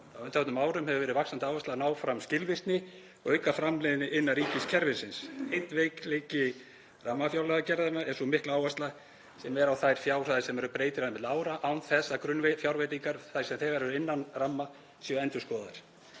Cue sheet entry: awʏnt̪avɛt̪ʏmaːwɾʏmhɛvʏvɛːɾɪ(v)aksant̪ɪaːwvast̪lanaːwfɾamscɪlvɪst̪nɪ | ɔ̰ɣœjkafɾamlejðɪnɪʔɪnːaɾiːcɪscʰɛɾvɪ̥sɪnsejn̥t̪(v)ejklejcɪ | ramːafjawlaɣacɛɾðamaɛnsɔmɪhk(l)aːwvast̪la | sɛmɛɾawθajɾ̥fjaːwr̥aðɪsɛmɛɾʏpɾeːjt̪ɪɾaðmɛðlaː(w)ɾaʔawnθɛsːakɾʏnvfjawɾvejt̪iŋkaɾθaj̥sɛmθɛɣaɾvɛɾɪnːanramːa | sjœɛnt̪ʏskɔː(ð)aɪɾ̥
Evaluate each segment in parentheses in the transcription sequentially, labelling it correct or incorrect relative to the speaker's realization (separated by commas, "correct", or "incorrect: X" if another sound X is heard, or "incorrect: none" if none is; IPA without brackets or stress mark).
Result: correct, correct, correct, correct, correct